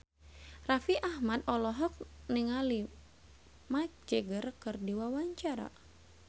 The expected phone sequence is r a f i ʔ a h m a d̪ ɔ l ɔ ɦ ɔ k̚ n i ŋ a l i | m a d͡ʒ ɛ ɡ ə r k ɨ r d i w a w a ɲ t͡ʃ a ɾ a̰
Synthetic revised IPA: r a f i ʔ a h m a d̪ ɔ l ɔ ɦ ɔ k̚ n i ŋ a l i | m a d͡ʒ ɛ ɡ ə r k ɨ r d i w a w a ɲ t͡ʃ a ɾ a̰